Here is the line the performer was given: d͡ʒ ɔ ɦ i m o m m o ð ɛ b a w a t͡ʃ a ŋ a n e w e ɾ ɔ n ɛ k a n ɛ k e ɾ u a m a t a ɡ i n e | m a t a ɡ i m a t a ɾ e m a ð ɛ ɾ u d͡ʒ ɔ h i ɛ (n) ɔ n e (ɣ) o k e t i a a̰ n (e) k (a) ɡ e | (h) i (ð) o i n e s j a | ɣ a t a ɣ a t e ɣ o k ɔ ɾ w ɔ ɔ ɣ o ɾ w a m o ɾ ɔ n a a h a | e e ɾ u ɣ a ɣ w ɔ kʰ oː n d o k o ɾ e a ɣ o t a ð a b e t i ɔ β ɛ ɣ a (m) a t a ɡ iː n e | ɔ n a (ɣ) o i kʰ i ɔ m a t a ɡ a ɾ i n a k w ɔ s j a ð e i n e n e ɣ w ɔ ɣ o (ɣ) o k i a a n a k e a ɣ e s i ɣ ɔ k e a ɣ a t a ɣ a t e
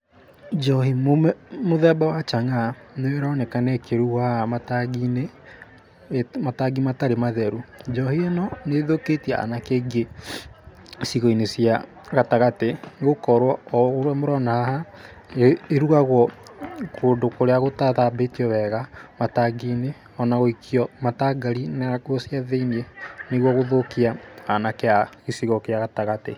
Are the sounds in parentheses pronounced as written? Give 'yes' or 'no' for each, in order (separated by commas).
yes, no, no, no, no, no, yes, yes, no